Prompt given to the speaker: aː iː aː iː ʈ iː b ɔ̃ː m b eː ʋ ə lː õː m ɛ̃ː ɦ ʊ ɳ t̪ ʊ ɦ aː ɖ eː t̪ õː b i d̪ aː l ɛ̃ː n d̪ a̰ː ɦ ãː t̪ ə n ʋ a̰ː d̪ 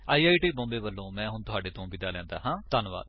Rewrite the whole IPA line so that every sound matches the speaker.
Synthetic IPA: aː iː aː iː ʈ iː b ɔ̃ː m b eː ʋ ə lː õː m ɛ̃ː ɦ ʊ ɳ t̪ ʊ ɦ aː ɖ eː t̪ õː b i d̪ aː l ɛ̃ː n d̪ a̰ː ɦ ãː t̪ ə n ʋ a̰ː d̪